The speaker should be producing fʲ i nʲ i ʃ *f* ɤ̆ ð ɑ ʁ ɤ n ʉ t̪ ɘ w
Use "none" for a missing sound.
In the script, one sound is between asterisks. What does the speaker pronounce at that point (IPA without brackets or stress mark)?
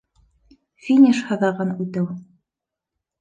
h